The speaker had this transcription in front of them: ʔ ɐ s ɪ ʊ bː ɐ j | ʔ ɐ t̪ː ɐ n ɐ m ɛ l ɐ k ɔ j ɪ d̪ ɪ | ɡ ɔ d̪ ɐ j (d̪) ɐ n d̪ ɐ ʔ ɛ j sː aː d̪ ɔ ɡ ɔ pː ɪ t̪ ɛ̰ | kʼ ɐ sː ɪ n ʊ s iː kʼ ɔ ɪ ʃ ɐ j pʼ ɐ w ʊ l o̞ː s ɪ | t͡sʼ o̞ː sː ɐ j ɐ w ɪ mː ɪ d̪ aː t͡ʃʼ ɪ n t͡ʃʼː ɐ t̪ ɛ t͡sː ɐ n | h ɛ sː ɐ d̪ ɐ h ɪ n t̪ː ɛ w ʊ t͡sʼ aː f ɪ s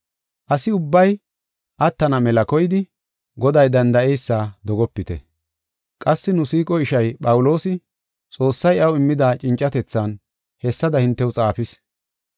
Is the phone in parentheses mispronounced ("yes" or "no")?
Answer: no